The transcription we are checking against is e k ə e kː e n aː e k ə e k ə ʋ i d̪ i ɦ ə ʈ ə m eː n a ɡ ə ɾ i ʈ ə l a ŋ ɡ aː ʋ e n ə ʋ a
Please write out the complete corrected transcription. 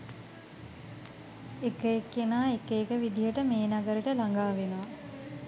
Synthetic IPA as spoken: e k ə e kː e n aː e k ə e k ə ʋ i d̪ i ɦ ə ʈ ə m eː n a ɡ ə ɾ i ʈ ə l a ŋ ɡ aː ʋ e n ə ʋ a

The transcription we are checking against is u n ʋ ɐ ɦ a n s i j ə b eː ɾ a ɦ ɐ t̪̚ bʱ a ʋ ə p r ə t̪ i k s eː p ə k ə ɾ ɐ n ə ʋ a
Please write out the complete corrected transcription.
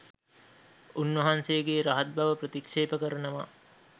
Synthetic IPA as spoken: u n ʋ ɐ ɦ a n s e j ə ɡ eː ɾ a ɦ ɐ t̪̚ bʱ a ʋ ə p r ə t̪ i k ʂ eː p ə k ə ɾ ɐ n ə ʋ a

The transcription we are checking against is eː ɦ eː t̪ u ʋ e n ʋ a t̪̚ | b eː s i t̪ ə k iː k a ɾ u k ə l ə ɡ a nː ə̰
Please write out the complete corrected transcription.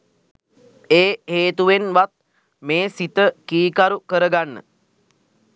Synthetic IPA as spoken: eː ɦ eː t̪ u ʋ e n ʋ a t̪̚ | m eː s i t̪ ə k iː k a ɾ u k ə ɾ ə ɡ a nː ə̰

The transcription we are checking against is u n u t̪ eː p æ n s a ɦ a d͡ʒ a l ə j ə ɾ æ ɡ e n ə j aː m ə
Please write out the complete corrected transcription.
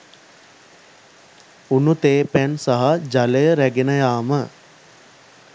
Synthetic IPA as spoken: u n u t̪ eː p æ n s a ɦ a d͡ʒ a l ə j ə ɾ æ ɡ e n ə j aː m ə

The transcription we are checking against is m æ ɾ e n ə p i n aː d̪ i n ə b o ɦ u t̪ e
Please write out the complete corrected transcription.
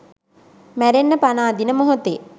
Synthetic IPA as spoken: m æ ɾ e nː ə p a n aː d̪ i n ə m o ɦ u t̪ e

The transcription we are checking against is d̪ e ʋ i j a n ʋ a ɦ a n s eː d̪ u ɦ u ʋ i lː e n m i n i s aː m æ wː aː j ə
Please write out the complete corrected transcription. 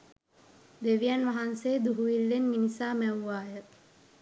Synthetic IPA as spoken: d̪ e ʋ i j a n ʋ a ɦ a n s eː d̪ u ɦ u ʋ i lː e n m i n i s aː m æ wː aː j ə

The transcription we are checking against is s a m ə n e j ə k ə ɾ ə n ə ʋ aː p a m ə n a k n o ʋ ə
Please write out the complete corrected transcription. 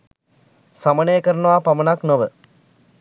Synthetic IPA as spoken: s a m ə n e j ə k ə ɾ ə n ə ʋ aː p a m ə n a k n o ʋ ə

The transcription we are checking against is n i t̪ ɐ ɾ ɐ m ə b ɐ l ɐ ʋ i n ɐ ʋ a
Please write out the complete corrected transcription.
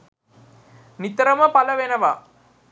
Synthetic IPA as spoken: n i t̪ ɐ ɾ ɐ m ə p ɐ l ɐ ʋ e n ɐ ʋ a

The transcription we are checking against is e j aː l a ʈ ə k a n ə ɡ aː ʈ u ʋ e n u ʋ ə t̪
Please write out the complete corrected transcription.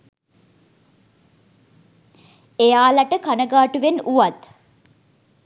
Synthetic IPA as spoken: e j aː l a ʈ ə k a n ə ɡ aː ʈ u ʋ e n u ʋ a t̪

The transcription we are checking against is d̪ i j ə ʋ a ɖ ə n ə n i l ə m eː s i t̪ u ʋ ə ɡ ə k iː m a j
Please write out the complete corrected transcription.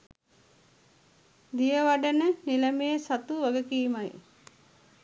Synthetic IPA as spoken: d̪ i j ə ʋ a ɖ ə n ə n i l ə m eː s a t̪ u ʋ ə ɡ ə k iː m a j

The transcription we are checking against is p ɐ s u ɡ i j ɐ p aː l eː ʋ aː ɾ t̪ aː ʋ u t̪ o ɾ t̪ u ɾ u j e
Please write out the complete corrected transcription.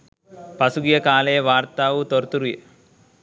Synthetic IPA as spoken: p ɐ s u ɡ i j ɐ k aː l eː ʋ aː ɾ t̪ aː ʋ u t̪ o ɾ t̪ u ɾ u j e

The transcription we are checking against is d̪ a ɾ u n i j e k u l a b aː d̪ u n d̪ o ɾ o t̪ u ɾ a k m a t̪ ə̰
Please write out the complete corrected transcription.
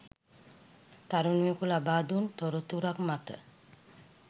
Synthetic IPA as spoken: t̪ a ɾ u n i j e k u l a b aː d̪ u n t̪ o ɾ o t̪ u ɾ a k m a t̪ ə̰

